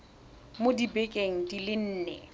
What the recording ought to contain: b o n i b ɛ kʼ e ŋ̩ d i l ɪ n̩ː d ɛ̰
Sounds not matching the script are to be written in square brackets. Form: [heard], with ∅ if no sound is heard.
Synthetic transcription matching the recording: [m] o [d] i b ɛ kʼ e ŋ̩ d i l ɪ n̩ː [n] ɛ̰

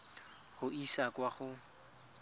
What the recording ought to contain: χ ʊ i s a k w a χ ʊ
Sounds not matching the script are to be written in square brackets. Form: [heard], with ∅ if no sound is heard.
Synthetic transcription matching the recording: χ ʊ i s a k w a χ ʊ

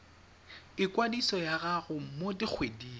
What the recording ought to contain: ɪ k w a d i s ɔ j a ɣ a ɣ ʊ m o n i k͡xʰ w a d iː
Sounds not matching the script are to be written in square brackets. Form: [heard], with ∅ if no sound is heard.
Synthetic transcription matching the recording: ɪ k w a d i s ɔ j a ɣ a ɣ ʊ m o [d] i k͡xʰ w [e] d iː

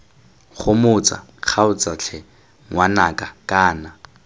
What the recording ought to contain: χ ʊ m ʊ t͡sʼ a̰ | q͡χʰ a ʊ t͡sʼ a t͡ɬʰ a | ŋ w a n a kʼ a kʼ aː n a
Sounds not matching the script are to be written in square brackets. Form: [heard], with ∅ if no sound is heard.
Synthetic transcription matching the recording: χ ʊ m ʊ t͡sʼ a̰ | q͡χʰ a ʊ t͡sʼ a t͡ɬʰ [ɛ] | ŋ w a n a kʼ a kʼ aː n a

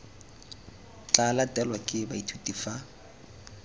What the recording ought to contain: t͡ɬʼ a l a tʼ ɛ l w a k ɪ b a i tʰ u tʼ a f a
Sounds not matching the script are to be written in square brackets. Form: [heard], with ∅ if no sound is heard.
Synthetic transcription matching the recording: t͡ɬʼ a l a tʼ ɛ l w a [kʼ] ɪ b a i tʰ u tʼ [i] f a

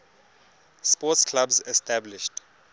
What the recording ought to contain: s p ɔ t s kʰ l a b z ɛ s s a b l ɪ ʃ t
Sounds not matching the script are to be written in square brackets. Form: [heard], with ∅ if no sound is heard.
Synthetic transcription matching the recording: s p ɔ t s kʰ l a b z ɛ s [t] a b l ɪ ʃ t

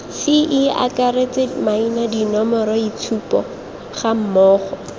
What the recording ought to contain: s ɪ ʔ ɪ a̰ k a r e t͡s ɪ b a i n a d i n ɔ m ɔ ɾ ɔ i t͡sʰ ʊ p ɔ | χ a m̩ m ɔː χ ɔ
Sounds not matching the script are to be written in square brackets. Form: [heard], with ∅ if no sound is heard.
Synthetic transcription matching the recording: s ɪ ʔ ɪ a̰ k a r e t͡s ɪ [m] a i n a d i n ɔ m ɔ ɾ ɔ i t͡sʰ [u] p ɔ | χ a m̩ m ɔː χ ɔ

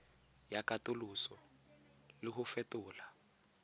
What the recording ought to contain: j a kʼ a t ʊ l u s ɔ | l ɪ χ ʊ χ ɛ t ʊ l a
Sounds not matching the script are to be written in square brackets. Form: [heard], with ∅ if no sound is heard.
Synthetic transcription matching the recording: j a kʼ a t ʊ l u s ɔ | l ɪ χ ʊ [f] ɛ t [ʊː] l a

